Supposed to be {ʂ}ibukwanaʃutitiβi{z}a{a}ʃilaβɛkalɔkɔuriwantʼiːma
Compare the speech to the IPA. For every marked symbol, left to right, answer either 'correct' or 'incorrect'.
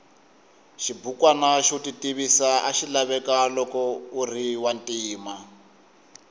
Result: incorrect: ʃ, incorrect: s, correct

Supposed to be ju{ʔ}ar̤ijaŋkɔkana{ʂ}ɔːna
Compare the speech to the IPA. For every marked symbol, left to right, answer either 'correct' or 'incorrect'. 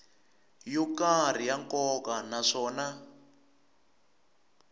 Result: incorrect: k, correct

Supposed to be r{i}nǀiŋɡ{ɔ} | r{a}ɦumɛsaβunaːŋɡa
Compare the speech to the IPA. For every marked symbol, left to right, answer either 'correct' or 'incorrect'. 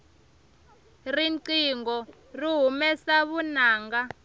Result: correct, correct, incorrect: i

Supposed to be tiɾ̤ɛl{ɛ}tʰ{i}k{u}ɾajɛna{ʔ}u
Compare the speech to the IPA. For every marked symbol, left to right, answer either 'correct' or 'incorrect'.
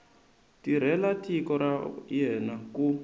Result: incorrect: a, correct, incorrect: ɔ, incorrect: k

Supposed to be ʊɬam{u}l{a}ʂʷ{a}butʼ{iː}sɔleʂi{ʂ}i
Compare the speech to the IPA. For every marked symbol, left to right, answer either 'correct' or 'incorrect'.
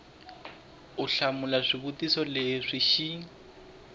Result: incorrect: ʊ, correct, incorrect: i, incorrect: i, incorrect: ʃ

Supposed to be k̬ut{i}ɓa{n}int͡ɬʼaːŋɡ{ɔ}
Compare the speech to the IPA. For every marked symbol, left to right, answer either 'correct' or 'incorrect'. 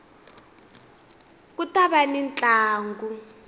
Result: incorrect: a, correct, incorrect: u

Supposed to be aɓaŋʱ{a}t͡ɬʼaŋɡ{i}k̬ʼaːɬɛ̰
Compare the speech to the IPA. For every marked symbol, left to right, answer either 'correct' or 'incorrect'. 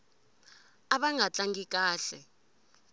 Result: correct, correct

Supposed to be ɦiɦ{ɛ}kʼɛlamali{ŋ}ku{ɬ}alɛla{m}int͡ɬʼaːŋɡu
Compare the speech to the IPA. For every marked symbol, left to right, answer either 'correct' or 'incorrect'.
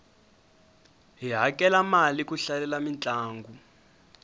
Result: incorrect: a, incorrect: none, correct, correct

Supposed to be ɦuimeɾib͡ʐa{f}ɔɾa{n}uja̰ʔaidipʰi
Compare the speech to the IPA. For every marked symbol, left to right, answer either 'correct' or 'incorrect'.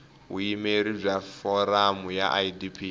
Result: correct, incorrect: m

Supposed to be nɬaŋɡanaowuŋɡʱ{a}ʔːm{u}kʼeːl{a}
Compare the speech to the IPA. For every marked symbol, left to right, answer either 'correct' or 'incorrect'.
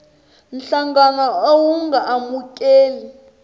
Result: correct, correct, incorrect: i

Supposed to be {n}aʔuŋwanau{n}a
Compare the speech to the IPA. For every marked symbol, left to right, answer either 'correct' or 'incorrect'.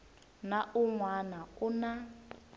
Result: correct, correct

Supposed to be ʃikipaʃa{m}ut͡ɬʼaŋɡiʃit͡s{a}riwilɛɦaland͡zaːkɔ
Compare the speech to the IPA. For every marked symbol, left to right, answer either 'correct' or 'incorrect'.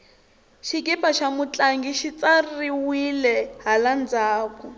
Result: correct, correct

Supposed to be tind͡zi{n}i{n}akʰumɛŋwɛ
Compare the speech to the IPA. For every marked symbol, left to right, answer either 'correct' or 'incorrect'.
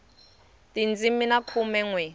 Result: incorrect: m, correct

